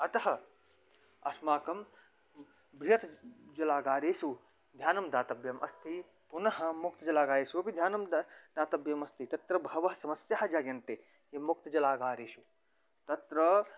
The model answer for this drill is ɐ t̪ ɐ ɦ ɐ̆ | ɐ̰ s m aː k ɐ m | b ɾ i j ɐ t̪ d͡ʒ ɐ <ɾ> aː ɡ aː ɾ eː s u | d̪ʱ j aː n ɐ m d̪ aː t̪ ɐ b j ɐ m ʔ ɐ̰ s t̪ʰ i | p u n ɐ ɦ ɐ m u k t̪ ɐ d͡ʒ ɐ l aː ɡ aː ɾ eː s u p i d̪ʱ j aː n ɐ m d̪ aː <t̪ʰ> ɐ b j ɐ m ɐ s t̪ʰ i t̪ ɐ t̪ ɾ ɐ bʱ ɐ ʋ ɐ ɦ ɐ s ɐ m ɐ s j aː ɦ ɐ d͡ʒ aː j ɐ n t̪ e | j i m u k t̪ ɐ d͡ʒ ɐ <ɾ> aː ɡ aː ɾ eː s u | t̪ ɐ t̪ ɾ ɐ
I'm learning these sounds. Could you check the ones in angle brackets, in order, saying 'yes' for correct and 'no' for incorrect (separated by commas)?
no, no, no